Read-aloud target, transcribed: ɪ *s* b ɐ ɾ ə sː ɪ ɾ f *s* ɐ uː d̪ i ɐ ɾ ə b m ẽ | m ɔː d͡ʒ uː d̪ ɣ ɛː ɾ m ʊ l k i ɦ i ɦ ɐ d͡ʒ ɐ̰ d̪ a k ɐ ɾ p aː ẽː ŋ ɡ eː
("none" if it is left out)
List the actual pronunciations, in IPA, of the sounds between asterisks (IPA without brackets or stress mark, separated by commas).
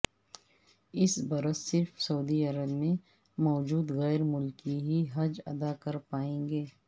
s, s